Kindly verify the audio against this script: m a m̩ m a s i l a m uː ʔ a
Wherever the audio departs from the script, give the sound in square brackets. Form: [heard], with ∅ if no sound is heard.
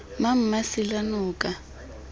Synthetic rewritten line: m a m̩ m a s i l a [n] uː [k] a